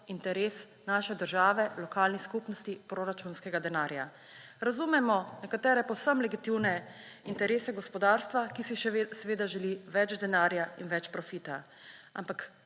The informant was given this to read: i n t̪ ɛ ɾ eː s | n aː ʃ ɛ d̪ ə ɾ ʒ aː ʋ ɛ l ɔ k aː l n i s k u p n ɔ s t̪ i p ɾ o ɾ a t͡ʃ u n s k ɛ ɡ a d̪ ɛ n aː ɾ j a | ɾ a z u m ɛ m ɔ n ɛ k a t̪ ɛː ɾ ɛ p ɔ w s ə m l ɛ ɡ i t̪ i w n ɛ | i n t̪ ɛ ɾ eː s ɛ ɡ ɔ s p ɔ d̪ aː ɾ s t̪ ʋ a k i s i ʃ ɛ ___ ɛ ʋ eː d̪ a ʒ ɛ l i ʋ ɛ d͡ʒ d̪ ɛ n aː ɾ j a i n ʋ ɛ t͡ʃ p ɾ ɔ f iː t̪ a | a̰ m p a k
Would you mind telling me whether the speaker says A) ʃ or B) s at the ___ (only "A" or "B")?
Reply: B